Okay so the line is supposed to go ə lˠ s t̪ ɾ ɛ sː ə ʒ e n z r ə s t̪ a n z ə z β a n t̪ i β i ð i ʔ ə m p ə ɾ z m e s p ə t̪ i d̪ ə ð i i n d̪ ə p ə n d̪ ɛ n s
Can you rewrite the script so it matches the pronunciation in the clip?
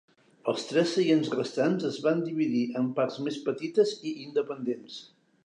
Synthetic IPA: ə lˠ s t̪ ɾ ɛ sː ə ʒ e n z r ə s t̪ a n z ə z β a n d̪ i β i ð i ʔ ə m p a ɾ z m e s p ə t̪ i t̪ ə z i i n d̪ ə p ə n d̪ e n s